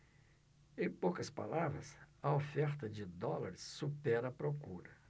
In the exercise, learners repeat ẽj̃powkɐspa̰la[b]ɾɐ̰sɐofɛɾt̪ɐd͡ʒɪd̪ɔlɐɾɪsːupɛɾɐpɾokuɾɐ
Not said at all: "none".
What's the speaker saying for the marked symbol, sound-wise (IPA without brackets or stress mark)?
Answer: v